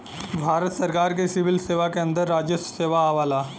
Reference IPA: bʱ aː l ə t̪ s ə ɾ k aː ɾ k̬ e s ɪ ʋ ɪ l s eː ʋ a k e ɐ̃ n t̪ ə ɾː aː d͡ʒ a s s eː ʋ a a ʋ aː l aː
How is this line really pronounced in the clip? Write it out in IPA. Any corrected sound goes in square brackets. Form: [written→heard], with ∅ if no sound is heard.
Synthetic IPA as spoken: bʱ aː [l→ɾ] ə t̪ s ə ɾ k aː ɾ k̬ e s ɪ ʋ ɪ l s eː ʋ a k e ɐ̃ n [t̪→d̪] ə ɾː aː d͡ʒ [a→ə] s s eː ʋ a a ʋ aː l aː